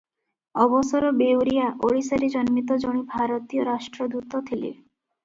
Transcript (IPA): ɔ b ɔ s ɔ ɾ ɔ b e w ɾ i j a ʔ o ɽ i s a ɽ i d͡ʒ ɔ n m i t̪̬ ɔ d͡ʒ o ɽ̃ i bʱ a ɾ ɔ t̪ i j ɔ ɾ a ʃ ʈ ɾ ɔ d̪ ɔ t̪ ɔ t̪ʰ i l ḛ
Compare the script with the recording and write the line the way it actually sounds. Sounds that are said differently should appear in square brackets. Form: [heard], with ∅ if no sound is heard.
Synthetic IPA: ɔ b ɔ s ɔ ɾ ɔ b e w ɾ i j a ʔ o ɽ i s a [ɾ] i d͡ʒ ɔ n m i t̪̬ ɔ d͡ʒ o ɽ̃ i bʱ a ɾ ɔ t̪ i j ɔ ɾ a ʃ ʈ ɾ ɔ d̪ [u] t̪ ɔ t̪ʰ i l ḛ